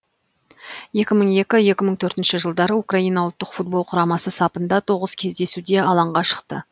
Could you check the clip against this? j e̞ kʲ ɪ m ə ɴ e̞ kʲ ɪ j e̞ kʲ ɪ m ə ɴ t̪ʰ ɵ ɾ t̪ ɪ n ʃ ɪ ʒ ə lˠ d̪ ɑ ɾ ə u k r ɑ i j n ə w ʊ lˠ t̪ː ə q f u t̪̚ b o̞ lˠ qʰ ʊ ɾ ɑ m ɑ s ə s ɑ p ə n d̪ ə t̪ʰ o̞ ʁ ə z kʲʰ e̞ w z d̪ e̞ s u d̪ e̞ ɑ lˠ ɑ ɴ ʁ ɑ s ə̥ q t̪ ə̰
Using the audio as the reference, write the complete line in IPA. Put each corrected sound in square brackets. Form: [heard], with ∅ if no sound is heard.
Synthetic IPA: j e̞ kʲ ɪ m ə ɴ e̞ kʲ ɪ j e̞ kʲ ɪ m ə ɴ t̪ʰ ɵ ɾ t̪ ɪ n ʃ ɪ ʒ ə lˠ d̪ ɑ ɾ ə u k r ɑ i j n [ɑ] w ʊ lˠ t̪ː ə q f u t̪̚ b o̞ lˠ qʰ ʊ ɾ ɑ m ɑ s ə s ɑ p ə n d̪ [ɑ] t̪ʰ o̞ ʁ ə z kʲʰ e̞ [∅] z d̪ e̞ s u d̪ e̞ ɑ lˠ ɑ ɴ ʁ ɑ [ʃ] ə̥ q t̪ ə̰